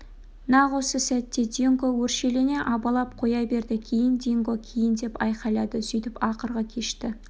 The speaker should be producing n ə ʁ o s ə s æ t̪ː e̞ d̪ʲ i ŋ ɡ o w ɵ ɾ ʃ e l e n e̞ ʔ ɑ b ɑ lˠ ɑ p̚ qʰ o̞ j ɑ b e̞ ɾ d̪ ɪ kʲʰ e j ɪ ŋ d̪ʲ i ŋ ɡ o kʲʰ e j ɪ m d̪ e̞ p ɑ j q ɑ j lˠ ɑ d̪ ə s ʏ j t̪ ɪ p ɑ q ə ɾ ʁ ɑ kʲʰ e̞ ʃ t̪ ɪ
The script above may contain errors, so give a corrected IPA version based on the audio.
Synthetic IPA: n ɑ ʁ o s ə s æ t̪ː e̞ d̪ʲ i ŋ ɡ o w ɵ ɾ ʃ e l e n e̞ ʔ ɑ b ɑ lˠ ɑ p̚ qʰ o̞ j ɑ b e̞ ɾ d̪ ɪ kʲʰ e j ɪ n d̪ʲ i ŋ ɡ o kʲʰ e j ɪ n d̪ e̞ p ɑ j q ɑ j lˠ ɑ d̪ ə s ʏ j t̪ ɪ p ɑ q ə ɾ ʁ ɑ kʲʰ e̞ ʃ t̪ ɪ